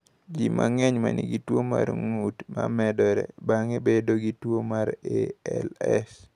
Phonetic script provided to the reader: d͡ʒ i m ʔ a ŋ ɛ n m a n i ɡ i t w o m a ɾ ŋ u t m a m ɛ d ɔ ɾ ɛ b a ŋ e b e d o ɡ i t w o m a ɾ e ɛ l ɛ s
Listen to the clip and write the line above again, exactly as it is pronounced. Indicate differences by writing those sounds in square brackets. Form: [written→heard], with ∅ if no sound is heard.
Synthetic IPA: d͡ʒ i m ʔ a ŋ ɛ [n→ɲ] m a n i ɡ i t w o m a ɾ ŋ u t m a m ɛ d ɔ ɾ ɛ b a ŋ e b e d o ɡ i t w o m a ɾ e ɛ l ɛ s